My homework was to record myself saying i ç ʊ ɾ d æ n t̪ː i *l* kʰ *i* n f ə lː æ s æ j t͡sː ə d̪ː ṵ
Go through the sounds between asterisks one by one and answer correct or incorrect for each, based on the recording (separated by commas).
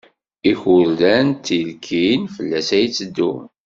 correct, correct